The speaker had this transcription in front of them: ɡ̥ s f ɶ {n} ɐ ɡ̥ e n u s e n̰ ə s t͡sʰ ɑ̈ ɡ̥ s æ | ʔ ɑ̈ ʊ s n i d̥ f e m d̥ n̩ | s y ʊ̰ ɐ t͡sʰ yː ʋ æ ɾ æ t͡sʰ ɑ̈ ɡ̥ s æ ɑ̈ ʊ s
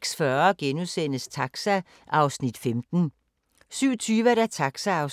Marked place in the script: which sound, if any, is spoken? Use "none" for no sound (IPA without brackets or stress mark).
none